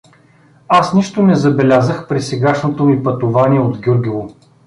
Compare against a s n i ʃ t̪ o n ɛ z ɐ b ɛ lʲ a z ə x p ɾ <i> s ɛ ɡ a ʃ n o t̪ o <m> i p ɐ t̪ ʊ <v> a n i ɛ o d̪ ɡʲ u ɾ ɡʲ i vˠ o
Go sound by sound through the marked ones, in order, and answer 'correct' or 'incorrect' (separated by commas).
correct, correct, correct